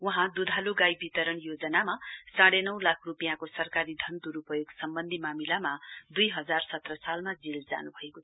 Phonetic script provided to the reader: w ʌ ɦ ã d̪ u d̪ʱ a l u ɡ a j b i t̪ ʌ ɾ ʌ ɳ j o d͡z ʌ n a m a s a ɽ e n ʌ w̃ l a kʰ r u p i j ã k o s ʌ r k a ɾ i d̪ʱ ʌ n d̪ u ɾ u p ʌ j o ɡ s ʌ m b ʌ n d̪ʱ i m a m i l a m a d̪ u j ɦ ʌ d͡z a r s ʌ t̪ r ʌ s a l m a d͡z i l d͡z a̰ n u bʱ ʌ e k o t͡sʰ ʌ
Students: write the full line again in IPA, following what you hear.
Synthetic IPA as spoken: w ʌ ɦ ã d̪ u d̪ʱ a l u ɡ a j b i t̪ ʌ ɾ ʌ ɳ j o d͡z ʌ n a m a s a ɽ e n ʌ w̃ l a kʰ r u p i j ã k o s ʌ r k a ɾ i d̪ʱ ʌ n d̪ u ɾ u p ʌ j o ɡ s ʌ m b ʌ n d̪ʱ i m a m i l a m a d̪ u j ɦ ʌ d͡z a r s ʌ t̪ r ʌ s a l m a d͡z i l d͡z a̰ n u bʱ ʌ e k o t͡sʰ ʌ